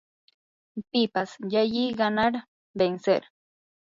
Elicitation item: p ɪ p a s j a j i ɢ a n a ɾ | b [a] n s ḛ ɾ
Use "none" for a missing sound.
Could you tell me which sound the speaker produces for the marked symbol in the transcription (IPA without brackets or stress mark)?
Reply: e